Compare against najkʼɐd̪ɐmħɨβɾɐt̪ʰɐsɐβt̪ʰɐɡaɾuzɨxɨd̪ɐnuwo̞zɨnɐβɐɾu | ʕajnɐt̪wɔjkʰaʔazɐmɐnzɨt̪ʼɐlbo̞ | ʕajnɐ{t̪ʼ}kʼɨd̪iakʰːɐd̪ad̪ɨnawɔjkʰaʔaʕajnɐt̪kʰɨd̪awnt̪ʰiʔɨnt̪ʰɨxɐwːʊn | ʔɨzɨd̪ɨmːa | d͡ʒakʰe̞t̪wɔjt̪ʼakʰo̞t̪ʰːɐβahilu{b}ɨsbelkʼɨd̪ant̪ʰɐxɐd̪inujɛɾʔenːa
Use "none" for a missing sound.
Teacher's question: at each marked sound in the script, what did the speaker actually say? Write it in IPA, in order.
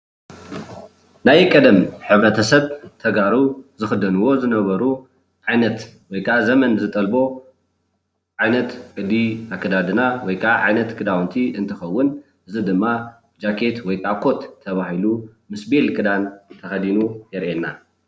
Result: t̪, m

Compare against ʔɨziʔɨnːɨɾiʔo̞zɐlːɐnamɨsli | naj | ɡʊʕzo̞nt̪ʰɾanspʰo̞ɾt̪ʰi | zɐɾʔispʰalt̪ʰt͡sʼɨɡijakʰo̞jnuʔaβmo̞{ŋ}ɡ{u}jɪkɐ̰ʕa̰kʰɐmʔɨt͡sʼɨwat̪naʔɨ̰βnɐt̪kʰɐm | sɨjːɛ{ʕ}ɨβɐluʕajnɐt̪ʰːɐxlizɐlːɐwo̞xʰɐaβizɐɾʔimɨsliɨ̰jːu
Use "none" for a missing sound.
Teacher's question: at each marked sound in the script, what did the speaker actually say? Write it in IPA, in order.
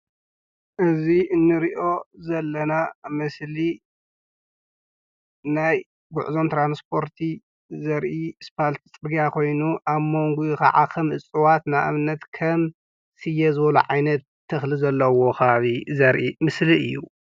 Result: ŋ, u, z

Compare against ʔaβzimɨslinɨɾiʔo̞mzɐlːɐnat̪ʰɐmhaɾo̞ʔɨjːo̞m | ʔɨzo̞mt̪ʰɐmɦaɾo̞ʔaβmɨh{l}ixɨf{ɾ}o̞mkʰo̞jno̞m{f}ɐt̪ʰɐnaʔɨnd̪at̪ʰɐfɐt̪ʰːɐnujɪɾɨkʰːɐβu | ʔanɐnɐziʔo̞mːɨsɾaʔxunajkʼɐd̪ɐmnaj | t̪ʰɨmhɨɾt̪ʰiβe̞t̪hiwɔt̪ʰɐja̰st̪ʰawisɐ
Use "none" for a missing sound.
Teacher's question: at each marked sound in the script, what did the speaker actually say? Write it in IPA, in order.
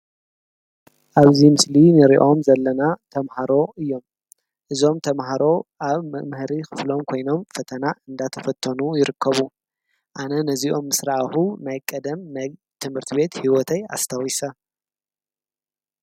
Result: ɾ, l, f

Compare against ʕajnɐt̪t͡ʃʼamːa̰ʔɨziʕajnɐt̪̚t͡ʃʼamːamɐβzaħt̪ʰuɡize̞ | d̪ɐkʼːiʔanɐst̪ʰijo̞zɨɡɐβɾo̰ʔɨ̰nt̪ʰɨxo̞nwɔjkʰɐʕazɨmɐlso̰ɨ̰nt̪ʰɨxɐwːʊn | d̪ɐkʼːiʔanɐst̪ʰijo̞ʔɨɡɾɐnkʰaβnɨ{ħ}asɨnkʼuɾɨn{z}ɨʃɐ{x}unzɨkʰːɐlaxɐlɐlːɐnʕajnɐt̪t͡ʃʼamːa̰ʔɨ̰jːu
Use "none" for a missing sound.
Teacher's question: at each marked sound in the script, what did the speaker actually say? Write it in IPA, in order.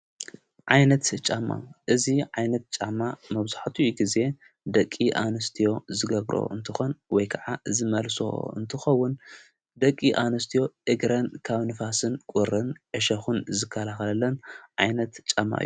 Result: f, ʕ, x

